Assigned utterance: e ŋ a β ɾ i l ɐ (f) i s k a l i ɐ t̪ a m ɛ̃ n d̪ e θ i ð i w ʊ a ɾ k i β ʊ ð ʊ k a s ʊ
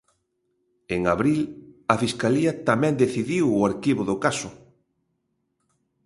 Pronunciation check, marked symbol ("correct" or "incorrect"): correct